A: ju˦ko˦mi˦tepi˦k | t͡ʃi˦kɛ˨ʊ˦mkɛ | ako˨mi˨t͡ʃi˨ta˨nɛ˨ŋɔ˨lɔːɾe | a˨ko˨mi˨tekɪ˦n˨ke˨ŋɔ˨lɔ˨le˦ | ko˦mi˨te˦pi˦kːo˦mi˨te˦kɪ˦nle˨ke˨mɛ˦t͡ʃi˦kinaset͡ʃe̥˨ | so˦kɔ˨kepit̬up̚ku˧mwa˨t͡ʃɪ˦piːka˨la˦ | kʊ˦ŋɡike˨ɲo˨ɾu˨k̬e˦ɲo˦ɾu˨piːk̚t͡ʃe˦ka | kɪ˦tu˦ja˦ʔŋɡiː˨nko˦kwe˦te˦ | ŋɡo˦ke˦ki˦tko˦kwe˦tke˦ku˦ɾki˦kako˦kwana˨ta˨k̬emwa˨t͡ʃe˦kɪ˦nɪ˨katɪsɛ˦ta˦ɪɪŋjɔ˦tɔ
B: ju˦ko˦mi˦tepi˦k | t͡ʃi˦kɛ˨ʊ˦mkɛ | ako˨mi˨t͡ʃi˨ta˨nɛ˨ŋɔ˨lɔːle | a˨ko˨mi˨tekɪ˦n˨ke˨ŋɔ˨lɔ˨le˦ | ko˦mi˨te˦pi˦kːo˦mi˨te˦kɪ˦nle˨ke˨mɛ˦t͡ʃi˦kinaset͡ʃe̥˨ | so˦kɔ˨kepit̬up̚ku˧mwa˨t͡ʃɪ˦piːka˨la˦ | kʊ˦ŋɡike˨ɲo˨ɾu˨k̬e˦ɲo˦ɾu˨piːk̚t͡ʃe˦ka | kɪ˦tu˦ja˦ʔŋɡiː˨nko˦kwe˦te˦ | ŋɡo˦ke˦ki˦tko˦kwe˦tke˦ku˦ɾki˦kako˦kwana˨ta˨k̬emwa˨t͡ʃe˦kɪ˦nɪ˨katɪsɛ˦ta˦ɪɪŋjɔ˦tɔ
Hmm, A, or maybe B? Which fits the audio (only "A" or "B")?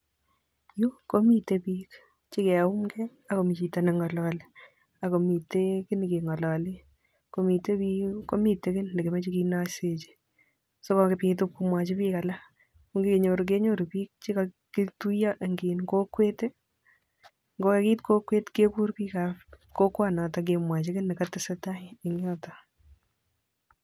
B